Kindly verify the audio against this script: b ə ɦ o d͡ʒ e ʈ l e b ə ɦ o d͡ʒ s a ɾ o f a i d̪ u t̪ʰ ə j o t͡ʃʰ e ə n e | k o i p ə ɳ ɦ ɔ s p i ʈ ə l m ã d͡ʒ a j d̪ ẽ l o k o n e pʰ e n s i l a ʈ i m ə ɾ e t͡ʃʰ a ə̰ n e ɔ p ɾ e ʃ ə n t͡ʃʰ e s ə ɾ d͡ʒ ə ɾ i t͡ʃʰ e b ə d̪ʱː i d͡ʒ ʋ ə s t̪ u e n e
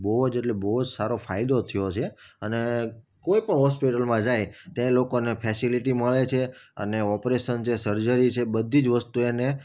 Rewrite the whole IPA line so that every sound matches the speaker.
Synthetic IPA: b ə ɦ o d͡ʒ e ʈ l e b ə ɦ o d͡ʒ s a ɾ o f a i d̪ o t̪ʰ ə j o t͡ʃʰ e ə n e | k o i p ə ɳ ɦ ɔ s p i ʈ ə l m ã d͡ʒ a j t̪ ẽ l o k o n e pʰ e s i l i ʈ i m ə ɭ e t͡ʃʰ e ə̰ n e ɔ p ɾ e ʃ ə n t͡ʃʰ e s ə ɾ d͡ʒ ə ɾ i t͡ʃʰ e b ə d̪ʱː i d͡ʒ ʋ ə s t̪ u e n e

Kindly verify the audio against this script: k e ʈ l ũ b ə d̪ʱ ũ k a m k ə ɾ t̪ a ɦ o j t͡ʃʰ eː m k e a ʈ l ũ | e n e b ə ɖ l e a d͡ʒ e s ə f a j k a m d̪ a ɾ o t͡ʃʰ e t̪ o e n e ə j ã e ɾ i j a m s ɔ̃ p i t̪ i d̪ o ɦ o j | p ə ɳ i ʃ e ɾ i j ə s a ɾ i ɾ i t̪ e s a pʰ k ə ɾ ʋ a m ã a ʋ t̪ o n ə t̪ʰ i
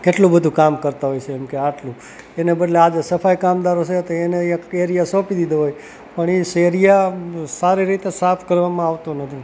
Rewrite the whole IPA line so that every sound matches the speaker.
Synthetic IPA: k e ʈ l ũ b ə d̪ʱ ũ k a m k ə ɾ t̪ a ɦ o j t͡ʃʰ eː m k e a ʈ l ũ | e n e b ə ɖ l e a d͡ʒ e s ə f a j k a m d̪ a ɾ o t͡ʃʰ e t̪ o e n e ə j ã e ɾ i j a s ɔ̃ p i d̪ i d̪ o ɦ o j | p ə ɳ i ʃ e ɾ i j a s a ɾ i ɾ i t̪ e s a pʰ k ə ɾ ʋ a m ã a ʋ t̪ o n ə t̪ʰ i

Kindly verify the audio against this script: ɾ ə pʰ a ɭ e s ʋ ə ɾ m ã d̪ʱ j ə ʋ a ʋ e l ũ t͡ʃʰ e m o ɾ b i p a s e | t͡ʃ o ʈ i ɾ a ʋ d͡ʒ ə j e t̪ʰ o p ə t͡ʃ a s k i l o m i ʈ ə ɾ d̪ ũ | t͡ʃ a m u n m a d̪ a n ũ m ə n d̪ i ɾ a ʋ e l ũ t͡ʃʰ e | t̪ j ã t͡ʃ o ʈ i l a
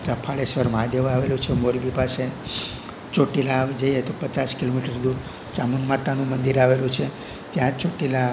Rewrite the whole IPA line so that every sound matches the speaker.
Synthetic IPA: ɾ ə pʰ a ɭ e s ʋ ə ɾ m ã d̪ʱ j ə ʋ a ʋ e l ũ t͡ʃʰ e m o ɾ b i p a s e | t͡ʃ o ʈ i l a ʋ d͡ʒ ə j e t̪ o p ə t͡ʃ a s k i l o m i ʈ ə ɾ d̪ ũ | t͡ʃ a m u n m a t̪ a n ũ m ə n d̪ i ɾ a ʋ e l ũ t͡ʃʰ e | t̪ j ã t͡ʃ o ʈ i l a

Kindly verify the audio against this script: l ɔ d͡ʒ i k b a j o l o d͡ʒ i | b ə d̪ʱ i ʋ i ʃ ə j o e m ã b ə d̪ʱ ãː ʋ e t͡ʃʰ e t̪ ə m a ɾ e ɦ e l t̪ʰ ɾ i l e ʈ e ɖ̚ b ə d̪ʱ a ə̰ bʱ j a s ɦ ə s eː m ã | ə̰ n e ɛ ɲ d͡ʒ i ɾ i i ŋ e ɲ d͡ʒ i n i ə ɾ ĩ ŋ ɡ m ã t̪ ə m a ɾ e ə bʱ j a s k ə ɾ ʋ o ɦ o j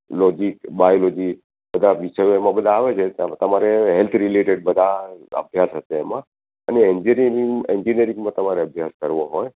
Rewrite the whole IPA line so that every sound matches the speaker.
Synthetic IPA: l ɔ d͡ʒ i k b a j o l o d͡ʒ i | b ə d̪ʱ a ʋ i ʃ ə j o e m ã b ə d̪ʱ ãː ʋ e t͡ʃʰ e t̪ ə m a ɾ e ɦ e l t̪ʰ ɾ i l e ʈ e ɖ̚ b ə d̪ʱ a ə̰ bʱ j a s ɦ ə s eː m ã | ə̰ n e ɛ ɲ d͡ʒ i ɾ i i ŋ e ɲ d͡ʒ i n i ə ɾ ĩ ŋ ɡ m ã t̪ ə m a ɾ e ə bʱ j a s k ə ɾ ʋ o ɦ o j

